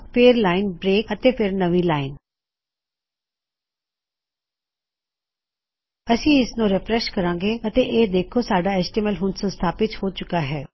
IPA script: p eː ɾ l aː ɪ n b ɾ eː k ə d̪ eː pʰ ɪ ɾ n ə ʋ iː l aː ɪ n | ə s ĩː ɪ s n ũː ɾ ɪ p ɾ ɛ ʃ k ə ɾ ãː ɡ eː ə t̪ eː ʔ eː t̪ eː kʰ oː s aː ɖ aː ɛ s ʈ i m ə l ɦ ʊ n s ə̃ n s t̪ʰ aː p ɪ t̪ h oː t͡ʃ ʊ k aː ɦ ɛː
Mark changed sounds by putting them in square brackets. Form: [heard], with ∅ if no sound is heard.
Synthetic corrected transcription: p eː ɾ l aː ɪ n b ɾ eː k ə [t̪] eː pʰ ɪ ɾ n ə ʋ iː l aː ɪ n | ə s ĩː ɪ s n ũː ɾ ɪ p ɾ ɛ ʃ k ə ɾ ãː ɡ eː ə t̪ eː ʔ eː [d̪] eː kʰ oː s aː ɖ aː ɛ s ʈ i m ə l ɦ ʊ n s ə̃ n s t̪ʰ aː p ɪ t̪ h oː t͡ʃ ʊ k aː ɦ ɛː